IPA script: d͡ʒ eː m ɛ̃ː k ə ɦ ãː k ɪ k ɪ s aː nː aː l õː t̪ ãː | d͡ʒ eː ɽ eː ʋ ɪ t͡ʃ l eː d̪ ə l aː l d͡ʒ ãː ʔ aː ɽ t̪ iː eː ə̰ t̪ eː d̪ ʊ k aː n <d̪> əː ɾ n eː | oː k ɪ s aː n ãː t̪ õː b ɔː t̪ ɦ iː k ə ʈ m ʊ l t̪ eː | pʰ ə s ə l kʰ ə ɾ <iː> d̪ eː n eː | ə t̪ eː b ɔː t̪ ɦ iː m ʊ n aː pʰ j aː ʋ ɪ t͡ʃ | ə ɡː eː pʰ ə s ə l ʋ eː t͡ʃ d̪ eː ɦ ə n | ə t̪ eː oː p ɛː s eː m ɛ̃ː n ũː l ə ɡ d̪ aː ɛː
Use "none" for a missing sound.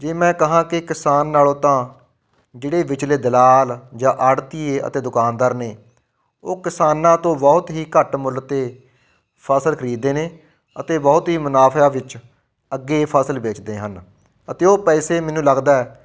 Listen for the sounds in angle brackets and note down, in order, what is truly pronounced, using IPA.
d̪, iː

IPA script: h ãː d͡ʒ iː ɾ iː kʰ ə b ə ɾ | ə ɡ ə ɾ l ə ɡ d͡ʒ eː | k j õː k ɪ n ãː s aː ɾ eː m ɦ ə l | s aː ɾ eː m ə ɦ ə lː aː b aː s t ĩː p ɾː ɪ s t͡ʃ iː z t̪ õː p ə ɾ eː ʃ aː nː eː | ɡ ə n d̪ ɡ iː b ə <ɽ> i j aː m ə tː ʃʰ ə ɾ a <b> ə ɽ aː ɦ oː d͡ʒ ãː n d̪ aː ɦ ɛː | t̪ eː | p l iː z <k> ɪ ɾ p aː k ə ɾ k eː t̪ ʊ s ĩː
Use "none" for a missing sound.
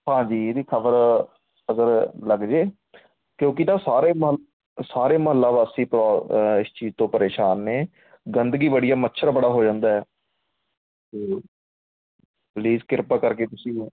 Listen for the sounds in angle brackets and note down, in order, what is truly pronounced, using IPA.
ɽ, b, k

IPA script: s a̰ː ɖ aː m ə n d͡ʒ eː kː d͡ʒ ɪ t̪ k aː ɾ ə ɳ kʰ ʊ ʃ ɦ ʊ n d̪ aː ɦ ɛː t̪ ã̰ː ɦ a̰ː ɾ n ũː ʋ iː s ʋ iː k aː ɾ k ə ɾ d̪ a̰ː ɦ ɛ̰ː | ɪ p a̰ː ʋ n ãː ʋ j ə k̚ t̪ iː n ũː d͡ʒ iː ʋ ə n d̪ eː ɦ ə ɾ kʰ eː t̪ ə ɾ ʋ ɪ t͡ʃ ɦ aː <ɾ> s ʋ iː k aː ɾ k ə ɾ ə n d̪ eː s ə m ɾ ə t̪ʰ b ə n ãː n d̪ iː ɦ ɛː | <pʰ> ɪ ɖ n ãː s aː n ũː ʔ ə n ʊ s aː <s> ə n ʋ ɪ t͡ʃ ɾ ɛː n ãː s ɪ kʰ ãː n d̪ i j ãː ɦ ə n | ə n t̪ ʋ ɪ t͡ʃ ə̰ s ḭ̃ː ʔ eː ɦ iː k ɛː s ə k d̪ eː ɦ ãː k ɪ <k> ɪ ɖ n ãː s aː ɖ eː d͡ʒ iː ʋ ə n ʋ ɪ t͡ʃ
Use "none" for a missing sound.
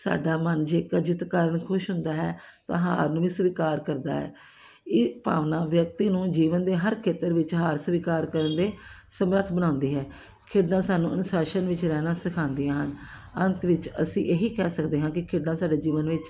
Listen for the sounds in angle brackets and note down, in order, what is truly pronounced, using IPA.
ɾ, kʰ, ʃ, kʰ

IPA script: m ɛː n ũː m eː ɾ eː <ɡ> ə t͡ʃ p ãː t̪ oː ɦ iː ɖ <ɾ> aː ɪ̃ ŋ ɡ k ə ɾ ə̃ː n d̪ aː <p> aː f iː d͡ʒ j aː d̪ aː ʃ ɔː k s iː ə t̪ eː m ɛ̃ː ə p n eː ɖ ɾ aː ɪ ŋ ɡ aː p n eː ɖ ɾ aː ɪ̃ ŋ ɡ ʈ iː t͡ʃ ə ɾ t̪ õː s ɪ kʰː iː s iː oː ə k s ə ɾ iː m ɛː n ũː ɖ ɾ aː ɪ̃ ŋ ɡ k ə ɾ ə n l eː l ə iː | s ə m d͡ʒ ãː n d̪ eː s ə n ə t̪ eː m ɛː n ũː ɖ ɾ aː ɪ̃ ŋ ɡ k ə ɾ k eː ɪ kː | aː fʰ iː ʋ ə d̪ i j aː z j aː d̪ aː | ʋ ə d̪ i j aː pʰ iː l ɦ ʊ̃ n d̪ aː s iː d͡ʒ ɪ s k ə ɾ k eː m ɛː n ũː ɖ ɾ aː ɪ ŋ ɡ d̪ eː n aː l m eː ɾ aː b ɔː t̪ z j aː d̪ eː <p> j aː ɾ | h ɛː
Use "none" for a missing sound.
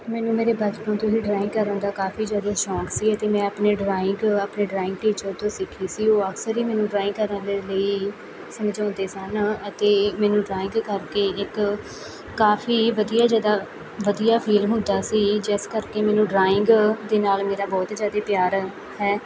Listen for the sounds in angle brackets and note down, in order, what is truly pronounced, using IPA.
b, ɾ, k, p

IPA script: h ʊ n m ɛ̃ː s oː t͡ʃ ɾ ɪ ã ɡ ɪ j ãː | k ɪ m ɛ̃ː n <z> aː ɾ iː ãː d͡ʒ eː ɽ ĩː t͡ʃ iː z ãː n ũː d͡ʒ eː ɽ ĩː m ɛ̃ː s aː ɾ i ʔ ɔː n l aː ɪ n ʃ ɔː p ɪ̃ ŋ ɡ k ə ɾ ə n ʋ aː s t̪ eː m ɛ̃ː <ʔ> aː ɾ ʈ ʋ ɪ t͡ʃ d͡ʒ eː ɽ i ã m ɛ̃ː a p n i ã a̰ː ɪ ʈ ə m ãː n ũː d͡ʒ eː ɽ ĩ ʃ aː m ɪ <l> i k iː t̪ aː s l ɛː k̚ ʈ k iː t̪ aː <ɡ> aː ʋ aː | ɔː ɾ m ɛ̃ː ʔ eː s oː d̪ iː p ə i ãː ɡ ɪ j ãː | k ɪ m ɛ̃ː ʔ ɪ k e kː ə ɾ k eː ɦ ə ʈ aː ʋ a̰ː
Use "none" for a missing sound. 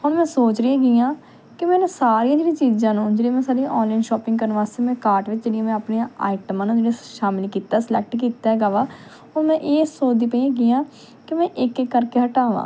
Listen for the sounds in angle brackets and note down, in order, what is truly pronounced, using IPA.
s, k, l, ɡ

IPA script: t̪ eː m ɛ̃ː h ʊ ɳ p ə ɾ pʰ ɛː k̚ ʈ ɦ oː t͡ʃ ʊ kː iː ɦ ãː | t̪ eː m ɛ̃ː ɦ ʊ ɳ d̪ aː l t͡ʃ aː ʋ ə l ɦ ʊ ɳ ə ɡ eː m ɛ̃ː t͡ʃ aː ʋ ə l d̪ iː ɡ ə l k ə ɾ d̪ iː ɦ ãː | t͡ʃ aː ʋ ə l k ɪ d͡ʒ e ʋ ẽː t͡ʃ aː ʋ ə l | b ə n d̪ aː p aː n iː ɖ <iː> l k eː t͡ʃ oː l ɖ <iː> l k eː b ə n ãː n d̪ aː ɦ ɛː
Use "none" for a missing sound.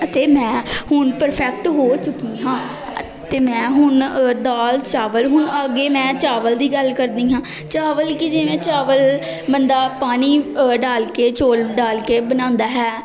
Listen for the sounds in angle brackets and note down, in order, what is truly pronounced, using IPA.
aː, aː

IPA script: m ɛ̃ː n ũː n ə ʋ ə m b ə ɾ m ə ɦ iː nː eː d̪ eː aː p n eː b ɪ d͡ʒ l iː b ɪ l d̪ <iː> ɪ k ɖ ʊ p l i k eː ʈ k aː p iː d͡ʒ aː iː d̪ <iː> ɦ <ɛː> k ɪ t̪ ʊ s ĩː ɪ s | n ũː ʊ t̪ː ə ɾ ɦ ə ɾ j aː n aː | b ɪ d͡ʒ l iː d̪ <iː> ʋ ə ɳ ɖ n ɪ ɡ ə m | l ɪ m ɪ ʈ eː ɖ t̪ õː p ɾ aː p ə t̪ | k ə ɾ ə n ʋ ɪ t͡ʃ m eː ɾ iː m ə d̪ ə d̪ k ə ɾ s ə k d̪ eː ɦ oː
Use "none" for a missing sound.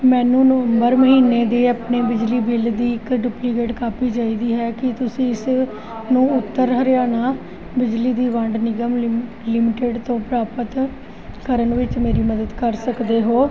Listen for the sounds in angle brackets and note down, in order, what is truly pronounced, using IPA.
iː, iː, ɛː, iː

